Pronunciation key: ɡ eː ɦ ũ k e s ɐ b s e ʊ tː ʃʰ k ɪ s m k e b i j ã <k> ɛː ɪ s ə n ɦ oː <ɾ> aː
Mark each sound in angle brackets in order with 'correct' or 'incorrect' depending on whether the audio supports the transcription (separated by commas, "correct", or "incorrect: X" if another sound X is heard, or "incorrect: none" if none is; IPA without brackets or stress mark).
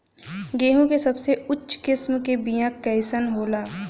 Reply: correct, incorrect: l